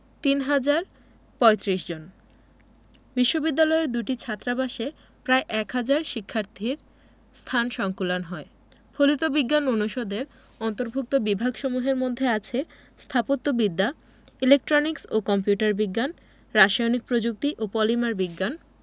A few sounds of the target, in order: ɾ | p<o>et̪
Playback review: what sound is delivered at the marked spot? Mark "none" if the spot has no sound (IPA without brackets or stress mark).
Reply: ɔ